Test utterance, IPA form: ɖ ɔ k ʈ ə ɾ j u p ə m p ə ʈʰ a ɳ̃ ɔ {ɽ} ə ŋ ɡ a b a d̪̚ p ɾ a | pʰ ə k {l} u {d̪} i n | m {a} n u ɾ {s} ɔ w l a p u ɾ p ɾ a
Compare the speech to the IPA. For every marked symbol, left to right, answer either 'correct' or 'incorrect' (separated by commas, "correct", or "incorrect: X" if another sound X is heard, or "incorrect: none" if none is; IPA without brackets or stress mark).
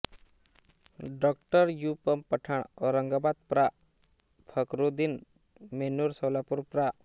incorrect: ɾ, incorrect: ɾ, correct, incorrect: e, correct